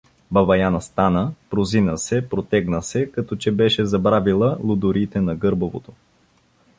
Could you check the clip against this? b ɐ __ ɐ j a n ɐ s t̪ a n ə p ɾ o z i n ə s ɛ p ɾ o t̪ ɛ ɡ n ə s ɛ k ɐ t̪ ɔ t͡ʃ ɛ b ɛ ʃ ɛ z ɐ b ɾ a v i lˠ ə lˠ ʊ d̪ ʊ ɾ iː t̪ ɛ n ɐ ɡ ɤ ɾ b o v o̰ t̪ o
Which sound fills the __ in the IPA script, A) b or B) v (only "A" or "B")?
B